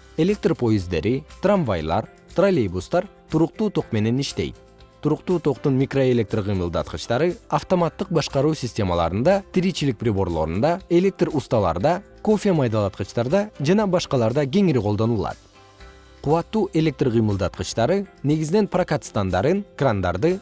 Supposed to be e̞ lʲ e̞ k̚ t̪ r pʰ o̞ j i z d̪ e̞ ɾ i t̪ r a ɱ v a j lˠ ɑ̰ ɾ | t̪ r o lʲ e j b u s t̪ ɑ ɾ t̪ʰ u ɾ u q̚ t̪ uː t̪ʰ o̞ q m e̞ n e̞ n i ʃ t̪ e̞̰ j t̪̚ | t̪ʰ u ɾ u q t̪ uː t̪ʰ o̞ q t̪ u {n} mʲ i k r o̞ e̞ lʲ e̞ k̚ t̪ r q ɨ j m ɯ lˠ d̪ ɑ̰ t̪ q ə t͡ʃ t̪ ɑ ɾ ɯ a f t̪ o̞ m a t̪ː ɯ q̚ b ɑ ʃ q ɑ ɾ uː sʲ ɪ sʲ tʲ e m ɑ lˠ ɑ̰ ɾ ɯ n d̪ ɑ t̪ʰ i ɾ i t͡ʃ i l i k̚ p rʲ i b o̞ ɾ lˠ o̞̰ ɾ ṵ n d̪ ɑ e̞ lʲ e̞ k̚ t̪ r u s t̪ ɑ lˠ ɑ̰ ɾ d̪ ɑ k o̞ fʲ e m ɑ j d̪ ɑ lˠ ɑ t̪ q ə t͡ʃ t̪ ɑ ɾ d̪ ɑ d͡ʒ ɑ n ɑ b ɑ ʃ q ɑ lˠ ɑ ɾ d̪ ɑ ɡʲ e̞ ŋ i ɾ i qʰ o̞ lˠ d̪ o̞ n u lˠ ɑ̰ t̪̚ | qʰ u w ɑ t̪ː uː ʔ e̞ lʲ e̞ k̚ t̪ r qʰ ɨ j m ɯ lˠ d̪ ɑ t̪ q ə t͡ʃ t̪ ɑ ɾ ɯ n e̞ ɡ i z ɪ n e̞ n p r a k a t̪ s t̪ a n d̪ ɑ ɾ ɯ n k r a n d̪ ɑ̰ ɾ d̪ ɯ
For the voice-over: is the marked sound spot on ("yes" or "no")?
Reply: yes